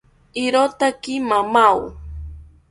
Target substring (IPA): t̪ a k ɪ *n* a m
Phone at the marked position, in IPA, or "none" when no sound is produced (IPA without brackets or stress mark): m